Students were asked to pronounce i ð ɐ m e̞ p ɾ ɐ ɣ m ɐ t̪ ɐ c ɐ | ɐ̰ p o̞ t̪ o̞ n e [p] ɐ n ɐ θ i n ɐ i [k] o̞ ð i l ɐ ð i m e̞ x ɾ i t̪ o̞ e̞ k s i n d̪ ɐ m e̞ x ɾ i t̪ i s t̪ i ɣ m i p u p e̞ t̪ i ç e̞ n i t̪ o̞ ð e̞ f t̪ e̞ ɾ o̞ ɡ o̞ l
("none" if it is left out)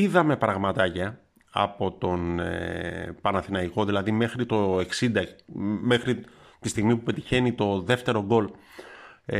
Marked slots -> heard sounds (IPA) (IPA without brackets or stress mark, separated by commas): p, k